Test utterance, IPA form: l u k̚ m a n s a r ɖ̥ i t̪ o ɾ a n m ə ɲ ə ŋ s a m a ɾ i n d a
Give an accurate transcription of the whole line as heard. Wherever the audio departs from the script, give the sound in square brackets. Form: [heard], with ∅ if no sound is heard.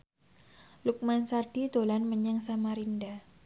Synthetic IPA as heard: l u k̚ m a n s a r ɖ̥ i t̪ o [l] a n m ə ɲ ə ŋ s a m a ɾ i n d a